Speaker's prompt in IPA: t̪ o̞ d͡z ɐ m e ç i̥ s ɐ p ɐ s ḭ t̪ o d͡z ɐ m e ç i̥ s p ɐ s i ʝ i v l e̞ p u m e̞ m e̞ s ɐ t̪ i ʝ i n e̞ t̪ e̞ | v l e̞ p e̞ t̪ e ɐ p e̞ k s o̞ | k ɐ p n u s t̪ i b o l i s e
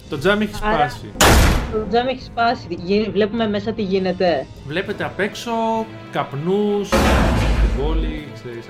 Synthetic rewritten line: t̪ o̞ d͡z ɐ m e ç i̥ s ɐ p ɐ s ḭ t̪ o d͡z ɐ m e ç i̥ s p ɐ s i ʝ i v l e̞ p u m e̞ m e̞ s ɐ t̪ i ʝ i n e̞ t̪ e̞ | v l e̞ p e̞ t̪ e ɐ p e̞ k s o̞ | k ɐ p n u s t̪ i b o l i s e